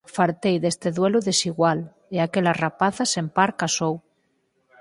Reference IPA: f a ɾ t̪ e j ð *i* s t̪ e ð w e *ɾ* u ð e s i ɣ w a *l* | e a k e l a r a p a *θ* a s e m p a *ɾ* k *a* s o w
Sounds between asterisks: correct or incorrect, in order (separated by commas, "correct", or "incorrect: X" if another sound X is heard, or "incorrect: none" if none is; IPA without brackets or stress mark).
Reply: incorrect: e, incorrect: l, correct, correct, correct, correct